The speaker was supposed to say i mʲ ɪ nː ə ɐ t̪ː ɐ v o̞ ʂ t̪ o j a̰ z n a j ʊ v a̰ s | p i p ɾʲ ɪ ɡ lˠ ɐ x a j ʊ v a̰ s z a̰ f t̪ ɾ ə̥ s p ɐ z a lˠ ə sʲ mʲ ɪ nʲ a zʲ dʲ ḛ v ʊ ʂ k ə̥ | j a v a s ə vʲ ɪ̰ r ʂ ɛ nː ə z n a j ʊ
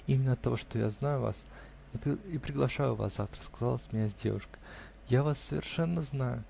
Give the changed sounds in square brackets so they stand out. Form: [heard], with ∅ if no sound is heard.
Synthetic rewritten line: i mʲ ɪ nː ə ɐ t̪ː ɐ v o̞ ʂ t̪ o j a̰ z n a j ʊ v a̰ s | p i p ɾʲ ɪ ɡ lˠ ɐ [ʂ] a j ʊ v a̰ s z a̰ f t̪ ɾ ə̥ s [k] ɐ z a lˠ ə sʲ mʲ ɪ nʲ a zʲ dʲ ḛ v ʊ ʂ k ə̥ | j a v a [sː] ə vʲ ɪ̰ r ʂ ɛ nː ə z n a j ʊ